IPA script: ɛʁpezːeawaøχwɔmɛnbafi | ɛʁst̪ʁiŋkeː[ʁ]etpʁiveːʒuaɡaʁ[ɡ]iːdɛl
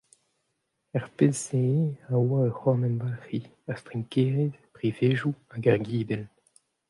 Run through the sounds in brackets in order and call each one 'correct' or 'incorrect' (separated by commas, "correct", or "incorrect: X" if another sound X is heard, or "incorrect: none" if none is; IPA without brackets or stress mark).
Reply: correct, correct